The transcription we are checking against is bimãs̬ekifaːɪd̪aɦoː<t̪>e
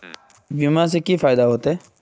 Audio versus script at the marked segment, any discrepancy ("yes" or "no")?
no